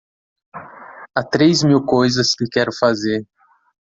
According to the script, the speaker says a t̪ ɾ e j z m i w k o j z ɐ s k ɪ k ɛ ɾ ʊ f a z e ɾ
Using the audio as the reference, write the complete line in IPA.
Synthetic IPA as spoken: a t̪ ɾ e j z m i w k o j z ɐ s k ɪ k ɛ ɾ ʊ f a z e ɾ